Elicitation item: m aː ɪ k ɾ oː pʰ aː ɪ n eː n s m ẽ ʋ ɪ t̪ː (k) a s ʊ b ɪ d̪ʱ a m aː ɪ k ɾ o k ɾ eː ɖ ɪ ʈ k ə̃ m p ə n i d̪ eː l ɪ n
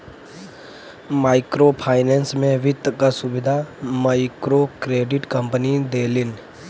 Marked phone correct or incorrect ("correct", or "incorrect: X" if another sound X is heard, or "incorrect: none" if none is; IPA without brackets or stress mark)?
correct